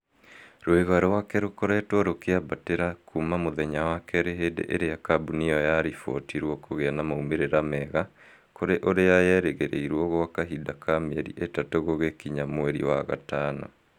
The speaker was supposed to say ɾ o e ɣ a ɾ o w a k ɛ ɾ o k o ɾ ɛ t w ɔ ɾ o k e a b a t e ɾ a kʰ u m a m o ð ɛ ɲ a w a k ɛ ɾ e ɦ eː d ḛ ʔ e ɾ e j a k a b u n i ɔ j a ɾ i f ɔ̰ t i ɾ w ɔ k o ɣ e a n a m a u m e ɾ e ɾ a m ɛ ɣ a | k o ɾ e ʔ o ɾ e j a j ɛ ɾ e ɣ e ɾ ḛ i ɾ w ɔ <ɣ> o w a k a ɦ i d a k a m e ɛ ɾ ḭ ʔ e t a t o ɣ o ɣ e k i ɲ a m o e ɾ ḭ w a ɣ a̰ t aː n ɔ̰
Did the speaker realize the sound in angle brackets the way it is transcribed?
yes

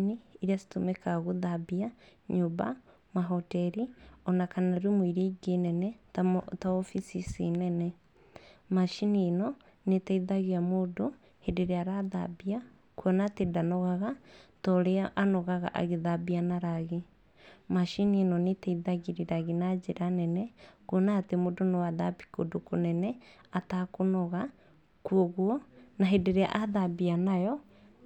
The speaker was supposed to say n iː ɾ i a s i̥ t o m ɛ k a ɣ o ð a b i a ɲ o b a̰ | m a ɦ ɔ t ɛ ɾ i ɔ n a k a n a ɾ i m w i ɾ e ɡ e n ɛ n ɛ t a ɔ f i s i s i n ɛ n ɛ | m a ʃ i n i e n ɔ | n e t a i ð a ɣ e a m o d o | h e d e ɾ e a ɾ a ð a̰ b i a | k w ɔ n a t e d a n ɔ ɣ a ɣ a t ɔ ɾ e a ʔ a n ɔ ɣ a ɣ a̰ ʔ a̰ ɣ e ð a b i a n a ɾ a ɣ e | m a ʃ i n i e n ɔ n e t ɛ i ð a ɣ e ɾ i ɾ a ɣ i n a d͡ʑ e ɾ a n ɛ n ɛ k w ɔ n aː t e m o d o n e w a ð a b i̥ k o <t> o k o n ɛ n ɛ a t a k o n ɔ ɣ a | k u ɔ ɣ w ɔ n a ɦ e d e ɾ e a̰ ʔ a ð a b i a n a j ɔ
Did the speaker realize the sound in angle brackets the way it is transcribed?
no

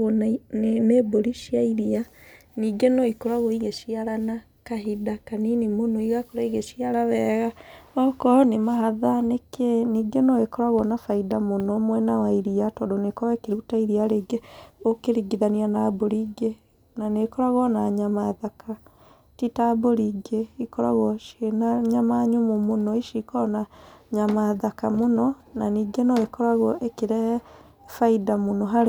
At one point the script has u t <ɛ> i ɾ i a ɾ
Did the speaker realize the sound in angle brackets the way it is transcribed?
no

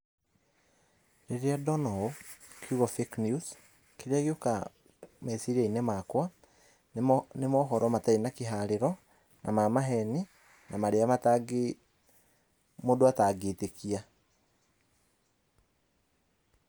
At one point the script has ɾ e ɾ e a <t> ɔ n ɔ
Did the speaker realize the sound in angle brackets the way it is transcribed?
no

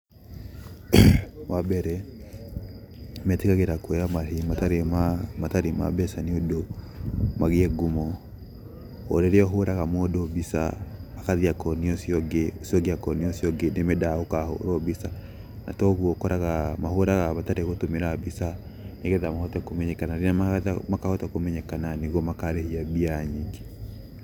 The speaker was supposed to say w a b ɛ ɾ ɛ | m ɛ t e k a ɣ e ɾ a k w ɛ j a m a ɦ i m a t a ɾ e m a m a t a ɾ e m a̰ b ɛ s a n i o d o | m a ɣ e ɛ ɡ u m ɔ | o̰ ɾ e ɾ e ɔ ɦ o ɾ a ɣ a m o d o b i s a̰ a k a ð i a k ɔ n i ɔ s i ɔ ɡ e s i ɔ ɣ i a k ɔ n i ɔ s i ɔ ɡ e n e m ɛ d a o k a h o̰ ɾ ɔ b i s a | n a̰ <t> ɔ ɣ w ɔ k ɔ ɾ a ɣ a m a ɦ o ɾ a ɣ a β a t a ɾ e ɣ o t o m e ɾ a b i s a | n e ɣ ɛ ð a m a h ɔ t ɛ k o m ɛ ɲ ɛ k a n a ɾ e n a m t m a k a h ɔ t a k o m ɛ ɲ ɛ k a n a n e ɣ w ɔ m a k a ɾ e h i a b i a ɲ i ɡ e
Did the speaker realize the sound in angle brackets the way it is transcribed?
yes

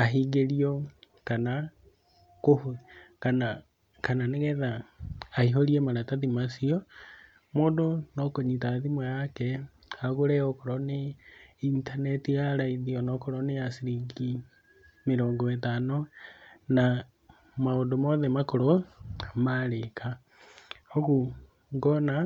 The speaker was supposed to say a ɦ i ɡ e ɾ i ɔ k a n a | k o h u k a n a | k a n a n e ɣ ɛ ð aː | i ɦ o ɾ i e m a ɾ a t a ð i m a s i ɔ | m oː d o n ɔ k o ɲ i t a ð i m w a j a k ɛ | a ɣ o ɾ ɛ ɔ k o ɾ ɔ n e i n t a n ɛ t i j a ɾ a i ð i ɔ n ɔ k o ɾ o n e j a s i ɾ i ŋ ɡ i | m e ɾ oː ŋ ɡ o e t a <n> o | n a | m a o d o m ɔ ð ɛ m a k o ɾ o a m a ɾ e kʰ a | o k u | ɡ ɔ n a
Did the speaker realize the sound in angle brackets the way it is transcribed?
yes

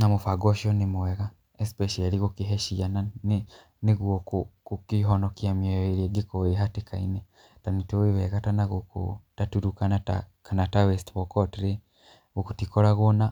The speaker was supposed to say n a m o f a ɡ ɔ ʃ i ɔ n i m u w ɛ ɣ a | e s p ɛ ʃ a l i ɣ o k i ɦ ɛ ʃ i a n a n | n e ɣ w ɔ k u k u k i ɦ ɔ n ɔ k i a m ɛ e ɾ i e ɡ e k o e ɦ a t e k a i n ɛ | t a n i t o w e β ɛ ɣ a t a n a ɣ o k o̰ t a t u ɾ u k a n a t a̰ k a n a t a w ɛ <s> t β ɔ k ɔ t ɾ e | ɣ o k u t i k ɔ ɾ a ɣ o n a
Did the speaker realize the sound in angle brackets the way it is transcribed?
yes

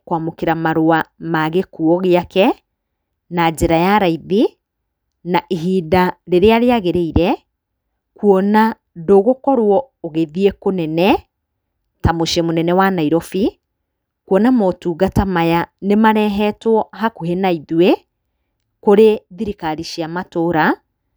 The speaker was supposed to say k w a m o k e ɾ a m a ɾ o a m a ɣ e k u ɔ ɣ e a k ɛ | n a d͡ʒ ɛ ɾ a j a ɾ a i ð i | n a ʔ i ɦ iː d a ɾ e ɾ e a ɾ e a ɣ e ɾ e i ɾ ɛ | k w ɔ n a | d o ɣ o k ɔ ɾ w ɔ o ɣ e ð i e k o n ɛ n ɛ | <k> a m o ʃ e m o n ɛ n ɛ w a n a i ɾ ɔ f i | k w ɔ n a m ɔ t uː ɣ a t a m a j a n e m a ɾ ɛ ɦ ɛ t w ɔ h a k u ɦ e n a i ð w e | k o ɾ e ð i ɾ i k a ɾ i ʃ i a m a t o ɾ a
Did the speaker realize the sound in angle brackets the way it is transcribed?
no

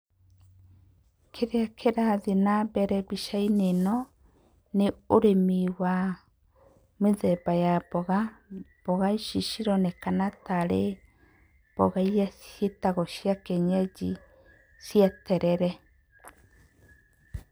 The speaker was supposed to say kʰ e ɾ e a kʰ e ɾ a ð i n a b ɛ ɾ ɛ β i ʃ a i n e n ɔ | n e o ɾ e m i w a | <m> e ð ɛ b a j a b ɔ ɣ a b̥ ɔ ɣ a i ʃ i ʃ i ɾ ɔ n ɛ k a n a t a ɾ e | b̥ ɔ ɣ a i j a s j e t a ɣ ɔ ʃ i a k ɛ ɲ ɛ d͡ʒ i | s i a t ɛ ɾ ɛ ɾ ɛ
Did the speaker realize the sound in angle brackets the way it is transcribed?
yes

